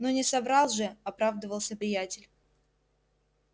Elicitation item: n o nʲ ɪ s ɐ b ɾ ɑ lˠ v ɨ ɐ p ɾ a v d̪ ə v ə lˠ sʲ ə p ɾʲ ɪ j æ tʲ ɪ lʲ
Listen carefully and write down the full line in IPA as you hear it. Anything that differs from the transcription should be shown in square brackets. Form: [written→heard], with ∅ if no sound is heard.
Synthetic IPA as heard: n o nʲ ɪ s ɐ b ɾ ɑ lˠ [v→ʐ] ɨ ɐ p ɾ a v d̪ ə v ə lˠ sʲ ə p ɾʲ ɪ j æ tʲ ɪ lʲ